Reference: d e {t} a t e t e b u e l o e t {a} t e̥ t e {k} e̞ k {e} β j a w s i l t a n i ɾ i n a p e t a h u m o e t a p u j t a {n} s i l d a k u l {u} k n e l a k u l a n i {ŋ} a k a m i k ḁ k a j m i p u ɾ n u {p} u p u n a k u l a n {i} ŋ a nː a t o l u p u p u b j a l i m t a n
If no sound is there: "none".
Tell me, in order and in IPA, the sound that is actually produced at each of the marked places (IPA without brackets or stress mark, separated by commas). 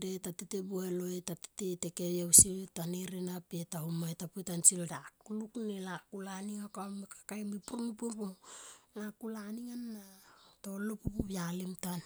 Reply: t, a, t, e, n, u, ŋ, p, i